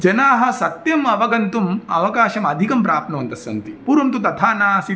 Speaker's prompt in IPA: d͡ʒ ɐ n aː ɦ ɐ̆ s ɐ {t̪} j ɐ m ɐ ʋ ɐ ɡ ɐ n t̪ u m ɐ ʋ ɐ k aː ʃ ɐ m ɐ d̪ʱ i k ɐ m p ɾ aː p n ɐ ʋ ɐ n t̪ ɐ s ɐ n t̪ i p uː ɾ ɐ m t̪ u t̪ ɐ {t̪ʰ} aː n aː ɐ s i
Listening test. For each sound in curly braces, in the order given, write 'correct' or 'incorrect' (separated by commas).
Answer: correct, correct